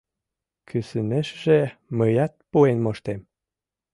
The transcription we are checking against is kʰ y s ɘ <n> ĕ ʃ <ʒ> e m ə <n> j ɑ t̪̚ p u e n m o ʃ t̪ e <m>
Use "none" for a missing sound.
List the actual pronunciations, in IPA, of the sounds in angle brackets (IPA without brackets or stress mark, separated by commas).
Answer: n, ʒ, none, m